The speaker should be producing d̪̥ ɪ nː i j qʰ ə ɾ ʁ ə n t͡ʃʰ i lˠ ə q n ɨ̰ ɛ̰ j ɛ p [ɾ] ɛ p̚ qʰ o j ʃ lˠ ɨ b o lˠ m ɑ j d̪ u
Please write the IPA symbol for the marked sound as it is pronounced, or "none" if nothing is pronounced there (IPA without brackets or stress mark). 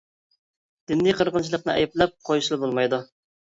l